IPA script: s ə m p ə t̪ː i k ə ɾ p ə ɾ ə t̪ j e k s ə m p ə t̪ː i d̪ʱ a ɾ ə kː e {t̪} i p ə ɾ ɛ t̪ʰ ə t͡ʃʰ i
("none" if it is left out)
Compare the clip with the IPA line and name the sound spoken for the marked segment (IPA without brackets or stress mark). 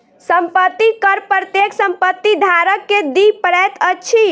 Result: d̪